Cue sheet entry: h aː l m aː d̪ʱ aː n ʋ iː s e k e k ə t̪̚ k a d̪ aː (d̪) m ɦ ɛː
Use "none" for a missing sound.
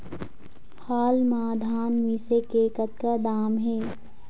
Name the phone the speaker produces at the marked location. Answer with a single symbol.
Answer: none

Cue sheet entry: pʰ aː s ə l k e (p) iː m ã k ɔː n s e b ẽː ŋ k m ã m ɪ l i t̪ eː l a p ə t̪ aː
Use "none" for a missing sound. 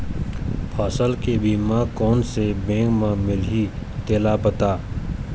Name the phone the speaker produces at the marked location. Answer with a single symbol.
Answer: b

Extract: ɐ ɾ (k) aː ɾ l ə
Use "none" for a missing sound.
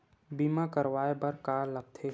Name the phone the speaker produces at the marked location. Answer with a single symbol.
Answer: k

